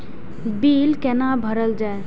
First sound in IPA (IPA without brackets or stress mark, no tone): b